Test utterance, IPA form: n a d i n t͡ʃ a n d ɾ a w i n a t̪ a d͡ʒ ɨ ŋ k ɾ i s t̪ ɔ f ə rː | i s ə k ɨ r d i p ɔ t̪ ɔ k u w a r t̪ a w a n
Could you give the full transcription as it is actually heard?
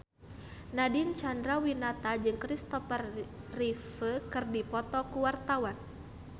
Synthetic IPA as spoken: n a d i n t͡ʃ a n d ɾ a w i n a t̪ a d͡ʒ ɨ ŋ k ɾ i s t̪ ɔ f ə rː | i f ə k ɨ r d i p ɔ t̪ ɔ k u w a r t̪ a w a n